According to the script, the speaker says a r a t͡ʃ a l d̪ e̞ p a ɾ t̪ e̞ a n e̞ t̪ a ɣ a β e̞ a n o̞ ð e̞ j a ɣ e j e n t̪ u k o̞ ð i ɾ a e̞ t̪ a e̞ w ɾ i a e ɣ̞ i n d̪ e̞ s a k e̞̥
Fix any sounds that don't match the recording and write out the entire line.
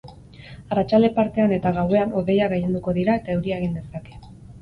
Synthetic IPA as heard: a r a t͡ʃ a l d̪ e̞ p a ɾ t̪ e̞ a n e̞ t̪ a ɣ a w e̞ a n o̞ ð e̞ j a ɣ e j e n d̪ u k o̞ ð i ɾ a e̞ t̪ a e̞ w ɾ i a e ɣ̞ i n d̪ e̞ s a k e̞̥